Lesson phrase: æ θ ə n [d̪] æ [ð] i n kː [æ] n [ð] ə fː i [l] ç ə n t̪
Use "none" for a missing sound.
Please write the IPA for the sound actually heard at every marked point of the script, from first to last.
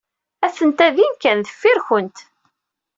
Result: t̪, ð, æ, ð, ɾ

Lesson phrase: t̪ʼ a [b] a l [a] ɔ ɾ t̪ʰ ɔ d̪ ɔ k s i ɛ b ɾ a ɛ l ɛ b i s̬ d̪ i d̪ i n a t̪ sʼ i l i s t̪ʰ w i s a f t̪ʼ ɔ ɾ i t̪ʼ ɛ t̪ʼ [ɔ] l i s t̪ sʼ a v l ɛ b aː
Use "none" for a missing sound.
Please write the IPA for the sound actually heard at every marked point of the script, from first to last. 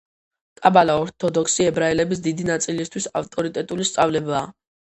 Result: b, a, u

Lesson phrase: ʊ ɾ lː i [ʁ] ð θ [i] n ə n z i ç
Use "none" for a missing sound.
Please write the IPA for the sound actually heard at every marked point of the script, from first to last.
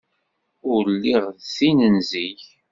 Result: ʁ, i

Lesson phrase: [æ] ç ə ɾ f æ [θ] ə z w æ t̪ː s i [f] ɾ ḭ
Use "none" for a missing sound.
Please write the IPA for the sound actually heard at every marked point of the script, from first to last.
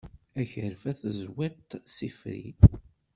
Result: æ, θ, f

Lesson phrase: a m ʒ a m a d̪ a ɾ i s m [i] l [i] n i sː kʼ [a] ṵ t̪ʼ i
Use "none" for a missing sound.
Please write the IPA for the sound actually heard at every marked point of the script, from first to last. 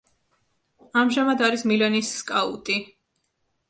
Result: i, ɛ, a

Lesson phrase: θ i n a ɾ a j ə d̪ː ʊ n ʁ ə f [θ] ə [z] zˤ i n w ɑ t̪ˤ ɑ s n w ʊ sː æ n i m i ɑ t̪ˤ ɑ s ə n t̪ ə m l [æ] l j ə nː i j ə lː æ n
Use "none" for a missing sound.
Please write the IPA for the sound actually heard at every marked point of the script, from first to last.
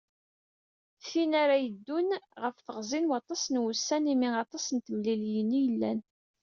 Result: θ, ʁ, i

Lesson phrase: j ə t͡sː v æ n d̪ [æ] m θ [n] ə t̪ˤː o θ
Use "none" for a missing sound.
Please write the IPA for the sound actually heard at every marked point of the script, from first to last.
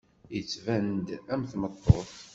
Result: æ, m

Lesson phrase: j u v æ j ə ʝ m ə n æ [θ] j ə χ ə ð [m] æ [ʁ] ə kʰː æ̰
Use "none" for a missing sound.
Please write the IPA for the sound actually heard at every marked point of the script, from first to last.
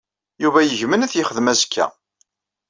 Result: θ, m, z

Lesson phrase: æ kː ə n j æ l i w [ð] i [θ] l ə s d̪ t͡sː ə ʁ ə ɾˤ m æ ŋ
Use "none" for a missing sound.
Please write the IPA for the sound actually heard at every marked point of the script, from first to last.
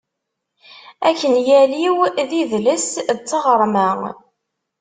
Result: ð, ð

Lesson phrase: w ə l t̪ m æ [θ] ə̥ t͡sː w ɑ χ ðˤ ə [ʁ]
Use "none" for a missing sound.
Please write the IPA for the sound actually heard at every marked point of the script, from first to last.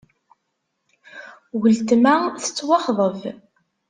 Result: θ, v

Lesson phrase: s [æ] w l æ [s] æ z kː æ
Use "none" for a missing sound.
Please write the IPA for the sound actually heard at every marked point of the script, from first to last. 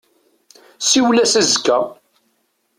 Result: i, s

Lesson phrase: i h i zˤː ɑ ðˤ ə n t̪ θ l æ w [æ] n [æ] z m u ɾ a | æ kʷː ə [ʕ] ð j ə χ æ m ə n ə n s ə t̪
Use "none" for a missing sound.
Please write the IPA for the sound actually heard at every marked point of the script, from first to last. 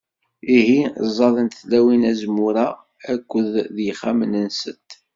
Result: i, æ, ð

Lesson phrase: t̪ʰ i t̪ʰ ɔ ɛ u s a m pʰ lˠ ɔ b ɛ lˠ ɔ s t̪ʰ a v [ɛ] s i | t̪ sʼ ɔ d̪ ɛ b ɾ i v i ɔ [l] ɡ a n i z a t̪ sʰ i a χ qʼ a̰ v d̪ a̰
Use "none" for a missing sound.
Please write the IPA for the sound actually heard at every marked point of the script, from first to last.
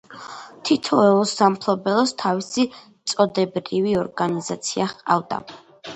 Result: i, ɾ

